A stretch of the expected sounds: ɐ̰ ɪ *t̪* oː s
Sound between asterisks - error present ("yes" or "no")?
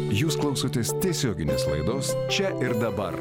yes